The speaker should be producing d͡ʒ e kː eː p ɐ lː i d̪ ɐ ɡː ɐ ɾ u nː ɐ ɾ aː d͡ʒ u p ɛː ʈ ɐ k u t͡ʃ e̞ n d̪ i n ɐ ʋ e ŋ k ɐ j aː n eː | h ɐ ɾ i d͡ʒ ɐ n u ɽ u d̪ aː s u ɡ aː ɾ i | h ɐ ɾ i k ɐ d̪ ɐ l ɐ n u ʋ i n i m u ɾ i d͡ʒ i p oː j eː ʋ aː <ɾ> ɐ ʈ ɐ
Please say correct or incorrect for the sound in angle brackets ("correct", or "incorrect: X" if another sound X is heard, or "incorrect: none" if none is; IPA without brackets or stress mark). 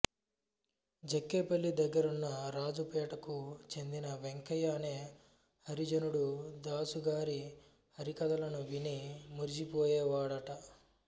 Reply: incorrect: ɽ